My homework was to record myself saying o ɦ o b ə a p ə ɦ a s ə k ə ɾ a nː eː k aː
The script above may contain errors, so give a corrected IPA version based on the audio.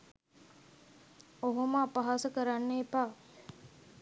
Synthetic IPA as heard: o ɦ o m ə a p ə ɦ a s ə k ə ɾ a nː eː p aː